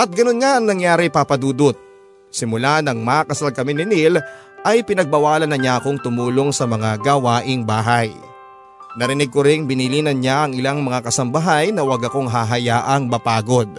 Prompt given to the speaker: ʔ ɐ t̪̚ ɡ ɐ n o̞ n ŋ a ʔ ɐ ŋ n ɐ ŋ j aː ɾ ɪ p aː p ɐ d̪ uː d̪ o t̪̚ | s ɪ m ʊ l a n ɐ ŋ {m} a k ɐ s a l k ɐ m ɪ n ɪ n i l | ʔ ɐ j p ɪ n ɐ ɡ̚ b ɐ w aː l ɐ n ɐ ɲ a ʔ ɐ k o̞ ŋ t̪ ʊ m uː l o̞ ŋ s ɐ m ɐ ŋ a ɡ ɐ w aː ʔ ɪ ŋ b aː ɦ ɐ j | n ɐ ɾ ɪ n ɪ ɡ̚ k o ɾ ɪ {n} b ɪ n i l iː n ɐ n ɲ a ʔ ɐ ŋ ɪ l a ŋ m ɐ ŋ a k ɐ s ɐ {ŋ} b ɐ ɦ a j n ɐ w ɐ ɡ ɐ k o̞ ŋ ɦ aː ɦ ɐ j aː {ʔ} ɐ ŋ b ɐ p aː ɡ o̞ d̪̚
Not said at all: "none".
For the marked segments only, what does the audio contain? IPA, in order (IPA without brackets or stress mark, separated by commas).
m, ŋ, m, ʔ